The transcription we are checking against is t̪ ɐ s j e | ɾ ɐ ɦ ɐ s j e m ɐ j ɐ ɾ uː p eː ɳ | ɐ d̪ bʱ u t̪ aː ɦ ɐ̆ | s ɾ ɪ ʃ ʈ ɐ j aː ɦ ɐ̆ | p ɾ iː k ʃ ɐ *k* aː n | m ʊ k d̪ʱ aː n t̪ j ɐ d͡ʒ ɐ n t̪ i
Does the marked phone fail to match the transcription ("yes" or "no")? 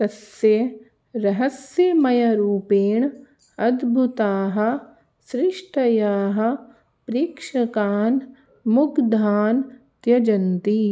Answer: no